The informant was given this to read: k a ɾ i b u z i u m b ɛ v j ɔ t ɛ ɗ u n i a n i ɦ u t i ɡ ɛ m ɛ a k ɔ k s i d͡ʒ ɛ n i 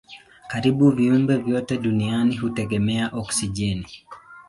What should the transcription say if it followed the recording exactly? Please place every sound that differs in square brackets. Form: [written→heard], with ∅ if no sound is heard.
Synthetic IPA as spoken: k a ɾ i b u [z→v] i u m b ɛ v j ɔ t ɛ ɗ u n i a n i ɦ u t [i→ɛ] ɡ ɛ m ɛ a [k→ʔ] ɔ k s i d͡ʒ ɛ n i